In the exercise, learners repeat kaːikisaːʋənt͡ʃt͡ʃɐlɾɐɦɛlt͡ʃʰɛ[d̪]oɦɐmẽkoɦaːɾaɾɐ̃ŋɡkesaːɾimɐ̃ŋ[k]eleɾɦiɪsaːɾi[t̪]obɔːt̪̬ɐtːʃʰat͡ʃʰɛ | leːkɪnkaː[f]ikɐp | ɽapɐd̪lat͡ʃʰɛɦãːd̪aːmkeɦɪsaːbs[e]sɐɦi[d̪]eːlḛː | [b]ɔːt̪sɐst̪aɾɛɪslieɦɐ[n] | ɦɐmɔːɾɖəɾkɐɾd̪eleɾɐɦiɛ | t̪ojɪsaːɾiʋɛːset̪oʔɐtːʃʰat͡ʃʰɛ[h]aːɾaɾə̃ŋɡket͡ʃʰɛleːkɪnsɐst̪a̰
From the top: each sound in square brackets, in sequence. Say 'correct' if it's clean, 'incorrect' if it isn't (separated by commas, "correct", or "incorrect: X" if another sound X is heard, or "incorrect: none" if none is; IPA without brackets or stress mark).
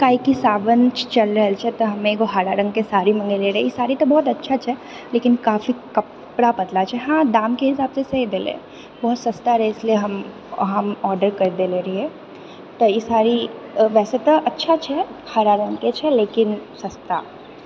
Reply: incorrect: t̪, incorrect: ɡ, correct, correct, correct, correct, correct, incorrect: m, correct